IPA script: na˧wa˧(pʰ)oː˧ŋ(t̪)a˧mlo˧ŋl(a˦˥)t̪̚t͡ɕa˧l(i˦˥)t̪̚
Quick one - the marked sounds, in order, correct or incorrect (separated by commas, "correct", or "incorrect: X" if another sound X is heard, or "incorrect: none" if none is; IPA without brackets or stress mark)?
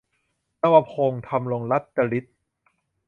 correct, incorrect: t̪ʰ, correct, correct